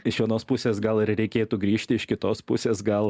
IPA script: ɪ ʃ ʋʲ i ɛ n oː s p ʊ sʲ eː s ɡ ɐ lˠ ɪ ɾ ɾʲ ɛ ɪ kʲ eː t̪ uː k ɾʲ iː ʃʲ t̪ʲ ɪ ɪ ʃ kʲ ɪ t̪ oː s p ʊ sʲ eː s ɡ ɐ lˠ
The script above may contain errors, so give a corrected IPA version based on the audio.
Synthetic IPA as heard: ɪ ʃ ʋʲ i ɛ n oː s p ʊ sʲ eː s ɡ ɐ lˠ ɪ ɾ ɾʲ ɛ ɪ kʲ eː t̪ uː ɡ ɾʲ iː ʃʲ t̪ʲ ɪ ɪ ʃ kʲ ɪ t̪ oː s p ʊ sʲ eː s ɡ ɐ lˠ